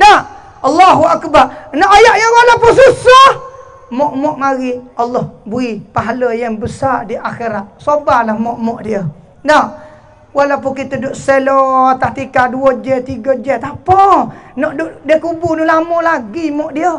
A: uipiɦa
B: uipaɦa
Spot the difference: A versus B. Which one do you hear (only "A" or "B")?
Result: B